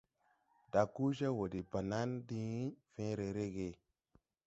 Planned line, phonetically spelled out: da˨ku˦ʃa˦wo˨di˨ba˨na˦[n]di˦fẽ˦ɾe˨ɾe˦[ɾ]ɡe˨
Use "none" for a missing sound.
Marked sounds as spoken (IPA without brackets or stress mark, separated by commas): n, none